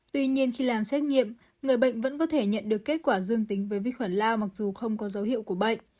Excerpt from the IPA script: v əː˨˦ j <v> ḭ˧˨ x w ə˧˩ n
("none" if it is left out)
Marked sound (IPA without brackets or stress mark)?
v